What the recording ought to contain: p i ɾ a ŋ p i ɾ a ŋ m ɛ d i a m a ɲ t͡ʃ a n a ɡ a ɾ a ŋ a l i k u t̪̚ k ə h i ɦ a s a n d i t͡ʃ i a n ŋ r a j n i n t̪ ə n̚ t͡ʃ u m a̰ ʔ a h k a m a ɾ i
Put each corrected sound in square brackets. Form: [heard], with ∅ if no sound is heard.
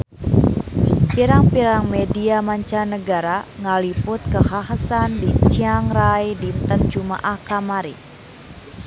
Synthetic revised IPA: p i ɾ a ŋ p i ɾ a ŋ m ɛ d i a m a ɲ t͡ʃ a n [ə] ɡ a ɾ a ŋ a l i [p] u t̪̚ k ə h [a] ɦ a s a n d i t͡ʃ i a [∅] ŋ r a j [d] i n t̪ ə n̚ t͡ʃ u m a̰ ʔ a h k a m a ɾ i